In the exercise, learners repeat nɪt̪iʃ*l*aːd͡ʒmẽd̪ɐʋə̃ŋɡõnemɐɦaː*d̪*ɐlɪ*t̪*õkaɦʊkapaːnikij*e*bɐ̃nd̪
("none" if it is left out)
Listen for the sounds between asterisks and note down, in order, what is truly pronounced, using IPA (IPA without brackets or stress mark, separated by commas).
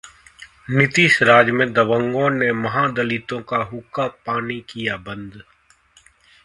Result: ɾ, d̪, t̪, a